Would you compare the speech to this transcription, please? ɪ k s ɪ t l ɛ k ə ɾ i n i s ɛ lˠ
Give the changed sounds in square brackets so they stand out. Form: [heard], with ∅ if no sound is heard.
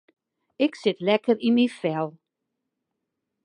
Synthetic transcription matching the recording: ɪ k s ɪ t l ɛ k ə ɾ i [m] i [f] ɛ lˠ